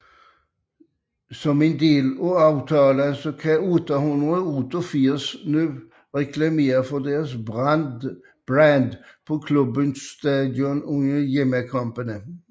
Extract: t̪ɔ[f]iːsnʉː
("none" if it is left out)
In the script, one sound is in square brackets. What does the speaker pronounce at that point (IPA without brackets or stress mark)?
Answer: f